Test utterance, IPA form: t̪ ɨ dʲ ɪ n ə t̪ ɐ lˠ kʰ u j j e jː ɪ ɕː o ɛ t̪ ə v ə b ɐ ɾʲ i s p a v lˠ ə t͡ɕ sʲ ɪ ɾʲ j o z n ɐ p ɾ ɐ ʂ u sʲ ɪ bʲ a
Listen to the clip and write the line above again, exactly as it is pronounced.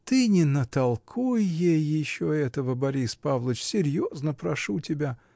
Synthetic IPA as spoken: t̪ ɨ nʲ ɪ n ə t̪ ɐ lˠ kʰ u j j e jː ɪ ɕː o ɛ t̪ ə v ə b ɐ ɾʲ i s p a v lˠ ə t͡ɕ sʲ ɪ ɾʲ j o z n ə p ɾ ɐ ʂ u tʲ ɪ bʲ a